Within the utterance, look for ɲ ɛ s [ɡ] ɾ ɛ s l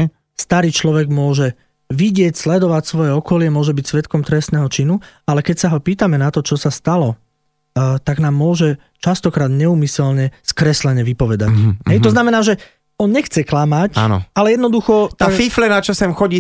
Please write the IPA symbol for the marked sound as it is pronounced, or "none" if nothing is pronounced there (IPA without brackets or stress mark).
k